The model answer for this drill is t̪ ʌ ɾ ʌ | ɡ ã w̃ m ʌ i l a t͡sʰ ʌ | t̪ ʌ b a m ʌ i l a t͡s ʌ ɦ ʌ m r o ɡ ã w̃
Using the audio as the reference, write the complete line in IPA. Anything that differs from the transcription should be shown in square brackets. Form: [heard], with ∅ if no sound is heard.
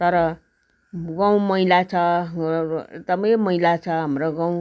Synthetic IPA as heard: t̪ ʌ ɾ ʌ | ɡ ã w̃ m ʌ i l a t͡sʰ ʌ | t̪ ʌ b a m ʌ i l a [t͡sʰ] ʌ ɦ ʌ m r o ɡ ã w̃